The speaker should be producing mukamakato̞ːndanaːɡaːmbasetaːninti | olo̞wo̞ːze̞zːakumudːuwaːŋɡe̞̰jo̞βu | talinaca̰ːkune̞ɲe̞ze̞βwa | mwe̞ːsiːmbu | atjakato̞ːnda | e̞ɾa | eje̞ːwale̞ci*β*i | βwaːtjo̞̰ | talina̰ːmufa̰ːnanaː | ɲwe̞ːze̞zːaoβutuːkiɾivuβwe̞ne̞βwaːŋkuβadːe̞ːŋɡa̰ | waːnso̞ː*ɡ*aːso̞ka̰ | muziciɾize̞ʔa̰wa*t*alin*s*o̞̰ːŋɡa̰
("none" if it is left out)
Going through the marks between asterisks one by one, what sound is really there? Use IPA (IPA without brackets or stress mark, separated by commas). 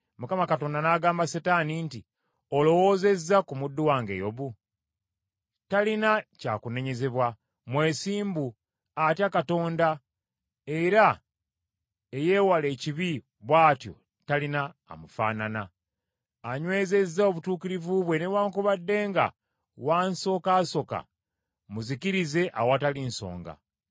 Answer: β, k, t, s